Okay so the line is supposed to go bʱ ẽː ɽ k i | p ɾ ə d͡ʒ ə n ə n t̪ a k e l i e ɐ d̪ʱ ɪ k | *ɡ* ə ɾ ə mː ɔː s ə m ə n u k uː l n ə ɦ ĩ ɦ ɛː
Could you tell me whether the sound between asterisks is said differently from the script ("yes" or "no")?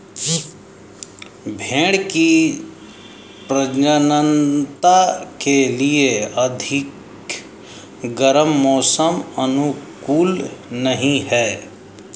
no